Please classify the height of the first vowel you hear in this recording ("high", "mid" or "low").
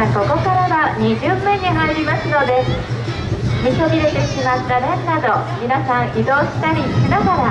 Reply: mid